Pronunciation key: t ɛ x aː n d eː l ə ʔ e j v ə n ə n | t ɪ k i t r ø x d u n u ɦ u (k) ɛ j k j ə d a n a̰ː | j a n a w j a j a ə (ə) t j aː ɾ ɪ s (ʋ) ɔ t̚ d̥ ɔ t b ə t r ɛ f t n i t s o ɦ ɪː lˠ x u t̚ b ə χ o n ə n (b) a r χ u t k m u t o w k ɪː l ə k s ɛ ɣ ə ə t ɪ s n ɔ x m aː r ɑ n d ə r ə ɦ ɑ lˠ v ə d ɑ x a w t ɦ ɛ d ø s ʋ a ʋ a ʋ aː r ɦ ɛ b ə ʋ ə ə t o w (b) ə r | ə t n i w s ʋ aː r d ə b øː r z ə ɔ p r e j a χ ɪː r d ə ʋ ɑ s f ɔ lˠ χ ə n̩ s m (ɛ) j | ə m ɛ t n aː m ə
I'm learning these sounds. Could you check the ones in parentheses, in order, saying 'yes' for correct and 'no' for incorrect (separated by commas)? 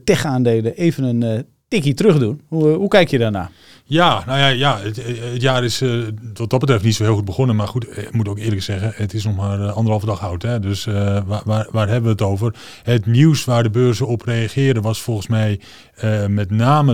yes, yes, yes, no, no, yes